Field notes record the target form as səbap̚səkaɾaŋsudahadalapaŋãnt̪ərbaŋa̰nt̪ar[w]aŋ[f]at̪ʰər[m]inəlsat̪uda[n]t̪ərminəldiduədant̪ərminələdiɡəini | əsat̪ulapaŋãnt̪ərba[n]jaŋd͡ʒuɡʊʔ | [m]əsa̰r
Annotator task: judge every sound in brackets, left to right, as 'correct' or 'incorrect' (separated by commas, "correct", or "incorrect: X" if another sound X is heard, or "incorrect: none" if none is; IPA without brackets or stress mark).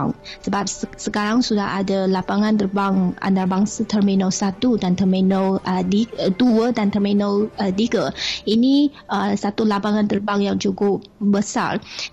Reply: incorrect: b, incorrect: s, correct, correct, incorrect: ŋ, incorrect: b